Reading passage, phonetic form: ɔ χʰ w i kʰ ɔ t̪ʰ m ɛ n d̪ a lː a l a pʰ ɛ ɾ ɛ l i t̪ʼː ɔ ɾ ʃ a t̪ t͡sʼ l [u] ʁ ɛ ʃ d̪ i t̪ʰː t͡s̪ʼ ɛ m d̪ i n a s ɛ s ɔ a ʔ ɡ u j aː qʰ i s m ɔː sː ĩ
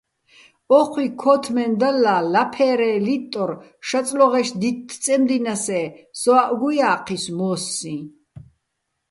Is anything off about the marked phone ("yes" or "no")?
yes